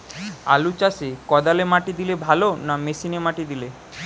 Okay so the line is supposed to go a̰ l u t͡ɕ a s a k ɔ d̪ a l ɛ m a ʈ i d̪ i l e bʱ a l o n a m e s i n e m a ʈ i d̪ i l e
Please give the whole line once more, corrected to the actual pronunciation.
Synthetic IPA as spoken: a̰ l u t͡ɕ a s e k ɔ d̪ a l e m a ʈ i d̪ i l e bʱ a l o n a m e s i n e m a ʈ i d̪ i l e